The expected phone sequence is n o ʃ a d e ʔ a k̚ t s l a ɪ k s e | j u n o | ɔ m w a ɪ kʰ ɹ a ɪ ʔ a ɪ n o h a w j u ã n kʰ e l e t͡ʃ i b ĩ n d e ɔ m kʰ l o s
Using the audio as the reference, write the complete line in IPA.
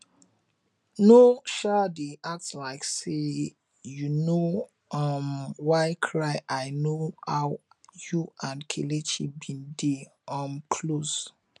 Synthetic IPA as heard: n o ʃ a d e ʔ a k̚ t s l a ɪ k s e | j u n o | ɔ m w a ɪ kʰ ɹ a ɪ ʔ a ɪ n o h a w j u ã n kʰ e l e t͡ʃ i b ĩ n d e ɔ m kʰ l o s